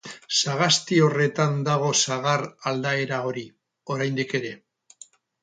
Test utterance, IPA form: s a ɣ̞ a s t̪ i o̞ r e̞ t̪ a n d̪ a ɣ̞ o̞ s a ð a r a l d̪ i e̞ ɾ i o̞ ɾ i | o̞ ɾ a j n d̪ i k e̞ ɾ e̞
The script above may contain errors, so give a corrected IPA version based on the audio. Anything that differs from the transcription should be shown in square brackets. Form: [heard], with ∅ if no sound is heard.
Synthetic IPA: s a ɣ̞ a s t̪ i o̞ r e̞ t̪ a n d̪ a ɣ̞ o̞ s a [ɣ] a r a l d̪ [a] e̞ ɾ [a] o̞ ɾ i | o̞ ɾ a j n d̪ i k e̞ ɾ e̞